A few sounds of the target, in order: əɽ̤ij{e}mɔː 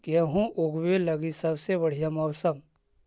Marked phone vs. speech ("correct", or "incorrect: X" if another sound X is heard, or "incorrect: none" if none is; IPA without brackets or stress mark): incorrect: a